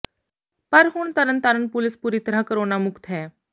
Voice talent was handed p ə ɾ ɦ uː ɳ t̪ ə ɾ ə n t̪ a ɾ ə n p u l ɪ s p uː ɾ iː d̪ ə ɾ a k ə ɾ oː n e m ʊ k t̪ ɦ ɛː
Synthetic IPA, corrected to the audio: p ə ɾ ɦ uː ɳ t̪ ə ɾ ə n t̪ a ɾ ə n p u l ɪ s p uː ɾ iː t̪ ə ɾ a k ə ɾ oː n a m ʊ k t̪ ɦ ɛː